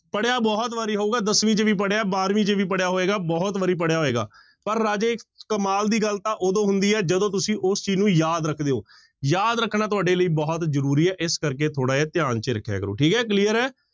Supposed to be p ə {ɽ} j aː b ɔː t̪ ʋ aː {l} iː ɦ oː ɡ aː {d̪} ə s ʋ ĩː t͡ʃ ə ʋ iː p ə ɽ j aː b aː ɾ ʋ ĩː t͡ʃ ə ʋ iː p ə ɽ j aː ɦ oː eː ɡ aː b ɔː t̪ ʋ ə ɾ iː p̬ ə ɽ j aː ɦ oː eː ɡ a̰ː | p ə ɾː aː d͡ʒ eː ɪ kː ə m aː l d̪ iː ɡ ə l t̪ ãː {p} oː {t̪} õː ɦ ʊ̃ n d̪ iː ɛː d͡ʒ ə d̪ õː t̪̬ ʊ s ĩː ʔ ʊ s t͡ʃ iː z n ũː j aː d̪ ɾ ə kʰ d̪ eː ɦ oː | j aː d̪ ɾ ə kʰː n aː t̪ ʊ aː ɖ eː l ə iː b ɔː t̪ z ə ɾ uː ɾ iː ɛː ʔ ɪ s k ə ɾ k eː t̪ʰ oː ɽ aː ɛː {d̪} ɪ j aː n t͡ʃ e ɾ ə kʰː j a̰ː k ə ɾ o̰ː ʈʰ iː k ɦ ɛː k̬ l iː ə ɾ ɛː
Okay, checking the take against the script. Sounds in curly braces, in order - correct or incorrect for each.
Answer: correct, incorrect: ɾ, correct, incorrect: ʔ, incorrect: d̪, incorrect: t̪

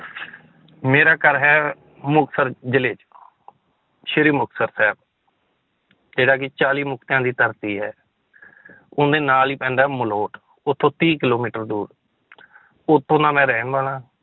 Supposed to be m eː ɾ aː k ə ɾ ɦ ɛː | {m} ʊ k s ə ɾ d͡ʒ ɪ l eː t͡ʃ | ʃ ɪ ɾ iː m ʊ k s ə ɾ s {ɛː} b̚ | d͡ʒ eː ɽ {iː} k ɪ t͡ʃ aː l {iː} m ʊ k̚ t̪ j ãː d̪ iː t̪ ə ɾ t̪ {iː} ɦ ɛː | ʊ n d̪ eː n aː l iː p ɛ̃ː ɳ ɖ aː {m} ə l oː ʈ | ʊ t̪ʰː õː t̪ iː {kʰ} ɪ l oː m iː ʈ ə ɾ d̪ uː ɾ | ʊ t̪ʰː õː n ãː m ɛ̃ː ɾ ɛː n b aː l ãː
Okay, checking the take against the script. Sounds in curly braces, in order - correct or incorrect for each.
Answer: correct, correct, incorrect: aː, correct, correct, correct, incorrect: k

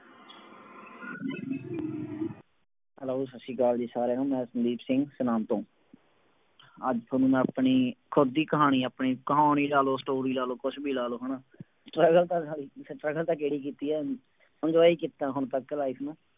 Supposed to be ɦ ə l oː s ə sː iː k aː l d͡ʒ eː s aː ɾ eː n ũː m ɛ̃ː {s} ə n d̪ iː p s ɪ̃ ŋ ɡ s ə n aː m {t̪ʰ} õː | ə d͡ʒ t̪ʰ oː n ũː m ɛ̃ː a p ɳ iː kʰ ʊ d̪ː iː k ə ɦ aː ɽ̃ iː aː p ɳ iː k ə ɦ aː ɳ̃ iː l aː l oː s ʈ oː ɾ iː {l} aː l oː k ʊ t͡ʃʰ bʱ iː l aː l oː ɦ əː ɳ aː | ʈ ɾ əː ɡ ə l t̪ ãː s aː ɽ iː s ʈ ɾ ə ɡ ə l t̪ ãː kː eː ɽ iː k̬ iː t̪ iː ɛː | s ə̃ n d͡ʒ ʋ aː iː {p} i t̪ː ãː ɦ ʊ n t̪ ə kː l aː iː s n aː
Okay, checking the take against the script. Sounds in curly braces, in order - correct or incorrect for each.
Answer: correct, incorrect: t̪, correct, incorrect: k

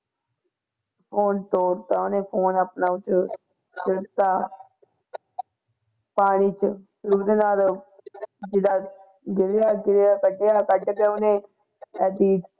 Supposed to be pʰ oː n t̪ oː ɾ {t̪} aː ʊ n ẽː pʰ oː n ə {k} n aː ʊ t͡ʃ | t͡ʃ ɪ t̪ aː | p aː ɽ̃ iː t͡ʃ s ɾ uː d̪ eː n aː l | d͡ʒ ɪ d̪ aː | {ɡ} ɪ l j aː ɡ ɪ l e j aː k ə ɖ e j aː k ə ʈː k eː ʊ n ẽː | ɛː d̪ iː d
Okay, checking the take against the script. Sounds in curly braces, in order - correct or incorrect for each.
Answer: correct, incorrect: p, correct

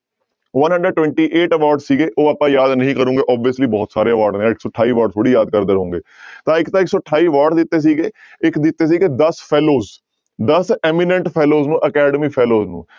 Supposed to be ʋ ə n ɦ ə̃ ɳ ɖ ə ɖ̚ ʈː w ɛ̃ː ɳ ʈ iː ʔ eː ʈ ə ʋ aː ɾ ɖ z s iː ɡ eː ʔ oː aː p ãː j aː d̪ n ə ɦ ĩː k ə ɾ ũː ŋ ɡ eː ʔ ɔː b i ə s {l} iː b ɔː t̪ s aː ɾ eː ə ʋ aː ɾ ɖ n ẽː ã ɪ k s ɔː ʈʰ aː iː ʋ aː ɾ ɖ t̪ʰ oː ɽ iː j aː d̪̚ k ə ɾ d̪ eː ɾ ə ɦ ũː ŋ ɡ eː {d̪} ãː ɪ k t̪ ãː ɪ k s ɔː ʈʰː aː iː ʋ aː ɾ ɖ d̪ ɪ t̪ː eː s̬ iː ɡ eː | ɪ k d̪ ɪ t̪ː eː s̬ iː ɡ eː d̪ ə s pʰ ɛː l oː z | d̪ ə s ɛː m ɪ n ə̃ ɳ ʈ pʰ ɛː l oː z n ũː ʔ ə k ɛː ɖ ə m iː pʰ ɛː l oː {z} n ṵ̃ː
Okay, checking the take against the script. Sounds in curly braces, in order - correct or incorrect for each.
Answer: correct, incorrect: t̪, correct

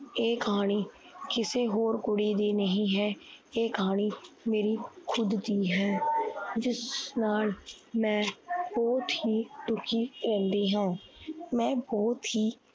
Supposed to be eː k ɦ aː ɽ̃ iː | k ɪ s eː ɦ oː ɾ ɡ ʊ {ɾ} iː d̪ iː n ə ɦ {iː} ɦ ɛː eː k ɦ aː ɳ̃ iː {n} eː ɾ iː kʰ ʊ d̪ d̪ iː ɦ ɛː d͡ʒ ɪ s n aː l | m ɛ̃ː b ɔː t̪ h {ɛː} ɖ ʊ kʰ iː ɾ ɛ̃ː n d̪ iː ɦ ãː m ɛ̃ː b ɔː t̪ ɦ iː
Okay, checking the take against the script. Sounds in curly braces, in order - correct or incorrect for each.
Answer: incorrect: ɽ, incorrect: ĩː, incorrect: m, incorrect: iː

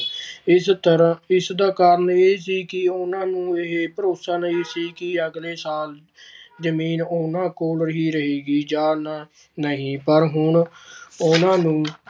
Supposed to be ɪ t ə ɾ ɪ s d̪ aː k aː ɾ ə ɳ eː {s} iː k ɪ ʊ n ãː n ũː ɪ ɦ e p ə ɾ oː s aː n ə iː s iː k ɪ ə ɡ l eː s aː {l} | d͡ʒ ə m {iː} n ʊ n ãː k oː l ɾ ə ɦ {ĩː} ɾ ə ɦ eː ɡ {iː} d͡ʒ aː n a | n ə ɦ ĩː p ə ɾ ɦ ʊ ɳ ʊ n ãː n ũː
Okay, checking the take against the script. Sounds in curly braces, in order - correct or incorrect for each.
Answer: correct, correct, correct, incorrect: iː, correct

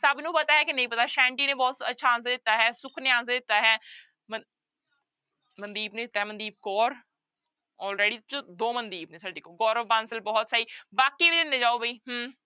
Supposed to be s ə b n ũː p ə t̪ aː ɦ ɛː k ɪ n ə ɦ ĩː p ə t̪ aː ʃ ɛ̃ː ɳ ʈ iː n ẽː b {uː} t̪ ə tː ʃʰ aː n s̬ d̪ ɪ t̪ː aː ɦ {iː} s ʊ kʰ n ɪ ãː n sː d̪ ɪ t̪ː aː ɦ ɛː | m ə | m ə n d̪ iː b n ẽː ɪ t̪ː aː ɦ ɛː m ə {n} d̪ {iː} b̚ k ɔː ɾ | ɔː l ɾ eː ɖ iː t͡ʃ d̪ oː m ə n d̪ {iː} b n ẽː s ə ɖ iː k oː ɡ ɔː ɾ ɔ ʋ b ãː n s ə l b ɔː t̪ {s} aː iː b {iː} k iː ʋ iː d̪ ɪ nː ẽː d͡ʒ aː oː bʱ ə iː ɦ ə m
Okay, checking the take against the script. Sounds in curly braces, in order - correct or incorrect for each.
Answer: incorrect: ɔː, incorrect: ɛː, correct, correct, correct, correct, incorrect: aː

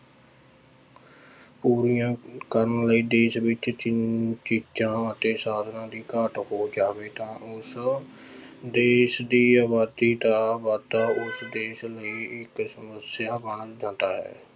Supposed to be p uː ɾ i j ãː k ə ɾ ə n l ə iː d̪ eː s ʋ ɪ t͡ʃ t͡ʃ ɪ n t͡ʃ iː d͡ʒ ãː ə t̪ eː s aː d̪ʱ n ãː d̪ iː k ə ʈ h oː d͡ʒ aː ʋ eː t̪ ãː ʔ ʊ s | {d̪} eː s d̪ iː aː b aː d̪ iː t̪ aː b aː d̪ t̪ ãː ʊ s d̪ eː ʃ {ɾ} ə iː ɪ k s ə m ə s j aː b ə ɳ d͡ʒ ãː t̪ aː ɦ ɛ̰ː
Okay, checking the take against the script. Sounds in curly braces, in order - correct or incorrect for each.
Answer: correct, incorrect: l

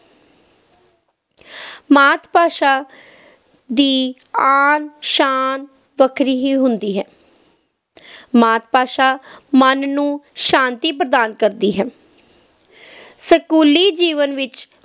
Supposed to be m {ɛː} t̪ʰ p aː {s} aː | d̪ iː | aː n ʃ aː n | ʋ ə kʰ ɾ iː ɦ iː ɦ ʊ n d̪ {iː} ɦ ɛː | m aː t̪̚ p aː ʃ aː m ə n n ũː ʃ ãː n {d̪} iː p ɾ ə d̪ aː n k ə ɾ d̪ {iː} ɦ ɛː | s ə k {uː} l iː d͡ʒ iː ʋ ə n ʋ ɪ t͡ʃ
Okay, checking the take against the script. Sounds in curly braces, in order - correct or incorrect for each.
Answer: incorrect: aː, incorrect: ʃ, correct, incorrect: t̪, correct, correct

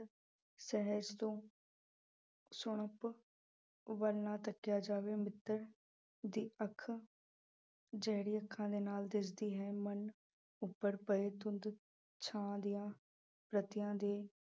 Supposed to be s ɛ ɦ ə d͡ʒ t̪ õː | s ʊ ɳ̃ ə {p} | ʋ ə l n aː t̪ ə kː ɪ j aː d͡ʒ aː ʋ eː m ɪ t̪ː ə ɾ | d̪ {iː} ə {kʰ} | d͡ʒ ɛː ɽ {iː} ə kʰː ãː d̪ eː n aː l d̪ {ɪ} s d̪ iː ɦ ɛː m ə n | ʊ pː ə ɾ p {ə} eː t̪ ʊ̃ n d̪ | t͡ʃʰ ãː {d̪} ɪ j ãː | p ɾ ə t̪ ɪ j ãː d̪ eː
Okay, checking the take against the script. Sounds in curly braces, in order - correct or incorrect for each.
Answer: correct, correct, correct, correct, correct, correct, correct

